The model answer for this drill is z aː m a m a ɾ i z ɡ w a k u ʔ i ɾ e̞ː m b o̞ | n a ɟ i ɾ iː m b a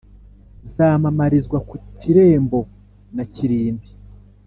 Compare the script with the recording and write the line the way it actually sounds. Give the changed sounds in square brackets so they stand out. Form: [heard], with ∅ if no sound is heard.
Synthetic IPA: z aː m a m a ɾ i z ɡ w a k u [c] i ɾ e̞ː m b o̞ | n a [c] i ɾ iː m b [i]

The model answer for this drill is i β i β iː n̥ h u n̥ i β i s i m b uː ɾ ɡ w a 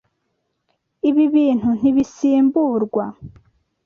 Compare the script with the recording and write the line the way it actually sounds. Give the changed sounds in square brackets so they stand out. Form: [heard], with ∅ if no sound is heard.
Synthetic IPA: i β i β iː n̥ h u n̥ i β i s [iː] m b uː ɾ ɡ w a

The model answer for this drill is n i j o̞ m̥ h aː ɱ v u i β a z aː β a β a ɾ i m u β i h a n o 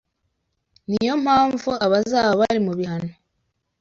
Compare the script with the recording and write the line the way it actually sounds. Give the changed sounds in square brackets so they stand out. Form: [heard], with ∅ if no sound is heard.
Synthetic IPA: n i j o̞ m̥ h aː ɱ v u [a] β a z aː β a β a ɾ i m u β i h a n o

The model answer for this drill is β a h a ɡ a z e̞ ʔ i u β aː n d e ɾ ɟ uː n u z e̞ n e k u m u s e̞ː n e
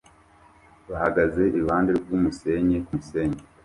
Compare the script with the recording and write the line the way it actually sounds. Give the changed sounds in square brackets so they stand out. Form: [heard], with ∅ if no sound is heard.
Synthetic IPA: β a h a ɡ a z e̞ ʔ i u β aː n d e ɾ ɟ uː [m] u [s] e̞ [ɲ] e k u m u s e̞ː [ɲ] e

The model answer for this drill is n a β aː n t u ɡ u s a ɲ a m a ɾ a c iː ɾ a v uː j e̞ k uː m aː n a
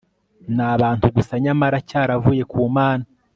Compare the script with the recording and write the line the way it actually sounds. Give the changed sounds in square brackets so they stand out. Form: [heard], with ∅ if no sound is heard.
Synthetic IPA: n a β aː n t u ɡ u s a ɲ a m a ɾ a c [aː] ɾ a v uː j e̞ k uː m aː n a

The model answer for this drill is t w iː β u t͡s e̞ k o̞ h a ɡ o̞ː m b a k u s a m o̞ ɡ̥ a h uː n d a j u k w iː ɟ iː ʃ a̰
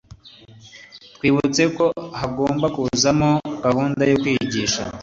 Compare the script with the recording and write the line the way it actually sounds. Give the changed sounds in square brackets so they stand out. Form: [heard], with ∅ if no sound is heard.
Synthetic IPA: t w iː β u t͡s e̞ k o̞ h a ɡ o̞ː m b a k u [z] a m o̞ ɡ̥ a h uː n d a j [o] k w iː ɟ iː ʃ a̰

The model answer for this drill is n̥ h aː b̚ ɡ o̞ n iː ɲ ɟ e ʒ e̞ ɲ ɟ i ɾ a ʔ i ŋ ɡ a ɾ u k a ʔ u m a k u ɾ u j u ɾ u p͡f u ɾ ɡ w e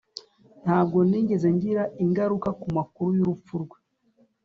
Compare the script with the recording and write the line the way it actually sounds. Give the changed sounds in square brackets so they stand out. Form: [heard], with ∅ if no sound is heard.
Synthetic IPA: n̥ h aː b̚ ɡ o̞ n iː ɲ ɟ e [z] e̞ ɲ ɟ i ɾ a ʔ i ŋ ɡ a ɾ u k a [k] u m a k u ɾ u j u ɾ u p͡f u ɾ ɡ w e

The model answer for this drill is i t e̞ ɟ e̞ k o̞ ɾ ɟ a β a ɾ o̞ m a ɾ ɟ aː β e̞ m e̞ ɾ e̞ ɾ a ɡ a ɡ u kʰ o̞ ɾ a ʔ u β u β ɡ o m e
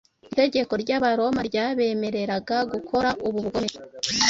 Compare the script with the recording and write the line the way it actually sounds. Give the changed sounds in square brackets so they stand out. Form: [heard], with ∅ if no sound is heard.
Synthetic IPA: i t e̞ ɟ e̞ k o̞ ɾ ɟ a β a ɾ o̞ m a ɾ ɟ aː β e̞ m e̞ ɾ e̞ ɾ a ɡ a ɡ u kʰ o̞ ɾ a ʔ u β u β ɡ o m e

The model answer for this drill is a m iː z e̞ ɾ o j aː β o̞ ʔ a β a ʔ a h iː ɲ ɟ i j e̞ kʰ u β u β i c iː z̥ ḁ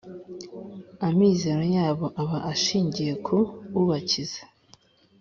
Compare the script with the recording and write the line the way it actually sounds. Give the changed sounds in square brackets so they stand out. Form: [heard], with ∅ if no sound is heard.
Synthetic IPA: a m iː z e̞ ɾ o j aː β o̞ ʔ a β a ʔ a [ʃ] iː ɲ ɟ i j e̞ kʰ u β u β [a] c [i] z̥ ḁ

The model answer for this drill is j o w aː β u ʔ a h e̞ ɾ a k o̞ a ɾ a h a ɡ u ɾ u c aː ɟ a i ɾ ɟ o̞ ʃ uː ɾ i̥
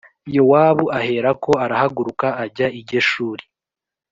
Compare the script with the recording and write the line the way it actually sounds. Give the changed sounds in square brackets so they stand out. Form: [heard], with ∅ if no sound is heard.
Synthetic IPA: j o w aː β u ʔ a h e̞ ɾ a k o̞ a ɾ a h a ɡ u ɾ u [k] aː ɟ a i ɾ ɟ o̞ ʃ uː ɾ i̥

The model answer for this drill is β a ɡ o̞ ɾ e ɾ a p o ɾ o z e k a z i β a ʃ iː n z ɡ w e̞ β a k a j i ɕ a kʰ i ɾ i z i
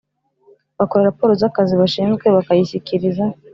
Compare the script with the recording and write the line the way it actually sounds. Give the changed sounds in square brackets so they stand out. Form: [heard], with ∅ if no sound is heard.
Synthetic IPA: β a [k] o̞ ɾ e ɾ a p o ɾ o z [a] k a z i β a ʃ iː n z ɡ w e̞ β a k a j i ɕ [i] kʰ i ɾ i z [a]

